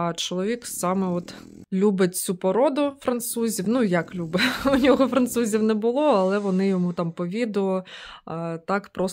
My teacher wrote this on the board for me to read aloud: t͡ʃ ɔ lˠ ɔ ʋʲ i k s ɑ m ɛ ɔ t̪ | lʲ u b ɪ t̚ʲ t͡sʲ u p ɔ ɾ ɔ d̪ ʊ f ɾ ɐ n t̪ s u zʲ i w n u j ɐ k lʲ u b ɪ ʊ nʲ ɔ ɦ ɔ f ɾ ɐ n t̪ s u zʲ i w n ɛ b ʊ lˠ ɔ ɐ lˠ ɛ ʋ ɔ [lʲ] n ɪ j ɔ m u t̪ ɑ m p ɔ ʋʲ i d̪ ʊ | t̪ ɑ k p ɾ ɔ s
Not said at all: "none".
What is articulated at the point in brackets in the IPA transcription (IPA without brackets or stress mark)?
none